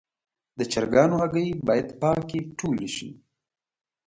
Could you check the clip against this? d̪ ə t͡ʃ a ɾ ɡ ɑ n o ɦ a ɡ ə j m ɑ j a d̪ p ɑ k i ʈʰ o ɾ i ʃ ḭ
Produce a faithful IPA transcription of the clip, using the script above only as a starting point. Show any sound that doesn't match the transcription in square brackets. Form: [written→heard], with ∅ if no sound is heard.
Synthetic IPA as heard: d̪ ə t͡ʃ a ɾ ɡ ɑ n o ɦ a ɡ ə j [m→b] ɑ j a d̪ p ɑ k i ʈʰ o [ɾ→l] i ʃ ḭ

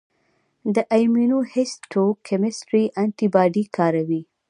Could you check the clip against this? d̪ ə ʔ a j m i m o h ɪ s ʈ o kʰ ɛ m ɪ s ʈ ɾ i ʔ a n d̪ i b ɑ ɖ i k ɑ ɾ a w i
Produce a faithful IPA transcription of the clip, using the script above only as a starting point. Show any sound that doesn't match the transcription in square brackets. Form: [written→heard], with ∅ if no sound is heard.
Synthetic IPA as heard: d̪ ə ʔ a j m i [m→n] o h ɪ s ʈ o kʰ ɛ m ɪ s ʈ ɾ i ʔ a n [d̪→t̪] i b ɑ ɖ i k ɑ ɾ a w i

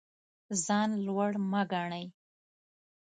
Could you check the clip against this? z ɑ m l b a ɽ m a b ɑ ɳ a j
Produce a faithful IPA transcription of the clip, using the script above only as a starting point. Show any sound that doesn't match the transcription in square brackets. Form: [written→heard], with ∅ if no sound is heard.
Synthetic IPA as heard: z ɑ [m→n] l [b→w] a ɽ m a [b→ɡ] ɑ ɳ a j

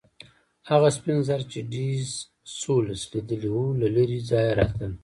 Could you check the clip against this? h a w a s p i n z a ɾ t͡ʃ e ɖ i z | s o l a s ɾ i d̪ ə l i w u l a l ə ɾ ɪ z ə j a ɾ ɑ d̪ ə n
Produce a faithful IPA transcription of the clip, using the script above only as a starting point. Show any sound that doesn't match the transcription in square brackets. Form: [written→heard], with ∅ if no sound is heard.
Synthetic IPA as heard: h a [w→ɣ] a s p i n z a ɾ t͡ʃ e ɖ i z | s o l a s [ɾ→l] i d̪ ə l i w u l a l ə ɾ [ɪ→i] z [ə→ɑ] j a ɾ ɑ [d̪→t̪] ə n

